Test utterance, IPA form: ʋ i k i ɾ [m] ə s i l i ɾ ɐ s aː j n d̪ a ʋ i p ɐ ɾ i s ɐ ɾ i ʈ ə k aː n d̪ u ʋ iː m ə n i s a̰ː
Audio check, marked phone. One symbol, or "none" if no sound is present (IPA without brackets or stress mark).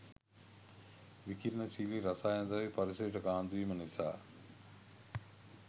n